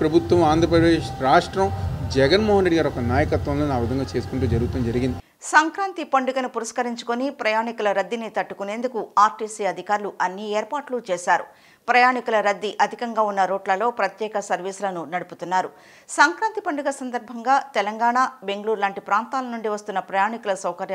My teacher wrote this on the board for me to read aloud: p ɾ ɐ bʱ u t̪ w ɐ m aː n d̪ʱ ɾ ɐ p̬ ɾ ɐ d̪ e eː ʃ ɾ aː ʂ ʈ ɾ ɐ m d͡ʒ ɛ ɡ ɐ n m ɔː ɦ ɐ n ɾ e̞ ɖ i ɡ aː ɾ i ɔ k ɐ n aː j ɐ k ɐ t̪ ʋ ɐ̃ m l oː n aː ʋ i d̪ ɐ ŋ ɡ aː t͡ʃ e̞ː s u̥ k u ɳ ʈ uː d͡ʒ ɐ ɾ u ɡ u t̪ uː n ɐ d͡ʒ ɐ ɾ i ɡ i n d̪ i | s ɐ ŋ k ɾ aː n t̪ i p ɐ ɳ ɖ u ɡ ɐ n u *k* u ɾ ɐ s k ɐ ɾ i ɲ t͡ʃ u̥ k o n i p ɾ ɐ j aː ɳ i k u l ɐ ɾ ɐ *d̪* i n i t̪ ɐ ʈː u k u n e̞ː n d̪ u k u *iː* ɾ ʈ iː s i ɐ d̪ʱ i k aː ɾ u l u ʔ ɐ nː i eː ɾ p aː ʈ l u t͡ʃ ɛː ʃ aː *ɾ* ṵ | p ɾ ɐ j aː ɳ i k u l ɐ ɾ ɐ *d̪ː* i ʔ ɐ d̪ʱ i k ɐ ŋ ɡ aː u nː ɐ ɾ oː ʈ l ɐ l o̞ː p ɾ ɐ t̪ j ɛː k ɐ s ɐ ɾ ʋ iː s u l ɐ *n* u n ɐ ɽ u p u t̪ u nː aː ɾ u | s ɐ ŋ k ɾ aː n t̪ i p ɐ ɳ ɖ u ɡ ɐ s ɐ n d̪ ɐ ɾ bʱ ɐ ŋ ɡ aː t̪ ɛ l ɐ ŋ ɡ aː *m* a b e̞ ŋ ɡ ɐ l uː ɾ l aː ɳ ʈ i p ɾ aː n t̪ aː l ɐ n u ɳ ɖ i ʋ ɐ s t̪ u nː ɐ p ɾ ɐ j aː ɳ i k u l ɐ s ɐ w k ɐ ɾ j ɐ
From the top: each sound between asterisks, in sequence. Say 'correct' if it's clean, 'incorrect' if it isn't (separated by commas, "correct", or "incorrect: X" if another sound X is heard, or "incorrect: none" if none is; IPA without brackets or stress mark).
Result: incorrect: p, incorrect: d̪ː, incorrect: aː, correct, correct, correct, incorrect: ɳ